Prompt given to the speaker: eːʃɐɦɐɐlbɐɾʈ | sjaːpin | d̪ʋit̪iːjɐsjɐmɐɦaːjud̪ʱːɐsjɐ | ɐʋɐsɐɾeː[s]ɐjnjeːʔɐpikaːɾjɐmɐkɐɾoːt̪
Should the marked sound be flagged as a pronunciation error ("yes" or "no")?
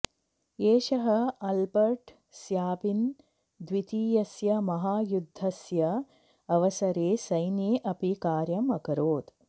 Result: no